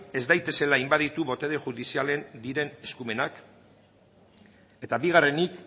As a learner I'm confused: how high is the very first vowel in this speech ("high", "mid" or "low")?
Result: mid